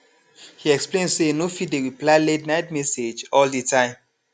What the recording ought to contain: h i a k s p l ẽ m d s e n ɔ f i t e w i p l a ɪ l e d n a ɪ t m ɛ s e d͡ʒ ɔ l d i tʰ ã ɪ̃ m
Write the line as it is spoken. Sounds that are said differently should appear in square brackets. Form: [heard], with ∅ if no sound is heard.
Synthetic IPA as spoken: h i [ɛ] k s p l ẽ [n] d s e n [o] f i [d] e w i p l a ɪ l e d n a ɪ t m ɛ s e d͡ʒ ɔ l d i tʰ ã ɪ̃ m